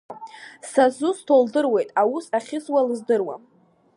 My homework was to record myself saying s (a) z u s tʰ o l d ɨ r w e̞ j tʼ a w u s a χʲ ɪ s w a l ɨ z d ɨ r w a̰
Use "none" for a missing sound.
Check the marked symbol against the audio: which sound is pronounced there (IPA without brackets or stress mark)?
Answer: a